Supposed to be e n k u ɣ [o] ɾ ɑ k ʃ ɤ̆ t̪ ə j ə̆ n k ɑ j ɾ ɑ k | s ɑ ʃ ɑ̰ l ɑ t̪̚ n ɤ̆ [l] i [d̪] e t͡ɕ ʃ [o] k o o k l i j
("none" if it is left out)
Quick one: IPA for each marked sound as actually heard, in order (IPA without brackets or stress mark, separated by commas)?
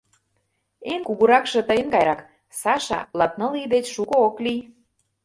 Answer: u, l, d̪, u